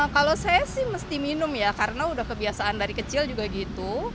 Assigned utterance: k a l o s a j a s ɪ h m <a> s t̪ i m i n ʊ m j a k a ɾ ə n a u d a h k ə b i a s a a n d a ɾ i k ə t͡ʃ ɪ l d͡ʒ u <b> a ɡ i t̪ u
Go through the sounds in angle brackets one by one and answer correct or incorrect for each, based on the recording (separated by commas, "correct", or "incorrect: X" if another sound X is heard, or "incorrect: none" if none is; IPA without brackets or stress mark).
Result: incorrect: ə, incorrect: ɡ